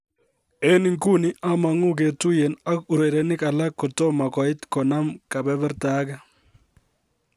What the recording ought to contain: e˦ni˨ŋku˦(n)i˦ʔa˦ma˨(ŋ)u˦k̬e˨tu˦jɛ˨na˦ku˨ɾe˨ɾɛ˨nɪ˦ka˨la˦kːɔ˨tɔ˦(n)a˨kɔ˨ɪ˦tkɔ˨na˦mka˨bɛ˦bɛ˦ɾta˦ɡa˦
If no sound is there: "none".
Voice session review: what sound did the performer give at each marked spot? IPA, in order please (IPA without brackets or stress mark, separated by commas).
n, ŋ, m